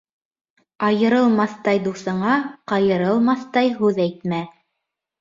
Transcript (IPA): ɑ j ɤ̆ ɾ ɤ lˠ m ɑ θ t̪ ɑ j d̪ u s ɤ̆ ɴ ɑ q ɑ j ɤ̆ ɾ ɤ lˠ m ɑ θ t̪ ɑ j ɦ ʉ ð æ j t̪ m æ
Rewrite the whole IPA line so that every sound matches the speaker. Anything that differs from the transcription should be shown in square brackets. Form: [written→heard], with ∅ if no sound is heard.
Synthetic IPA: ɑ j ɤ̆ ɾ ɤ lˠ m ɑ θ t̪ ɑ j d̪ u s ɤ̆ ɴ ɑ q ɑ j ɤ̆ ɾ ɤ lˠ m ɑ θ t̪ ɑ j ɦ ʉ ð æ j t̪ m æ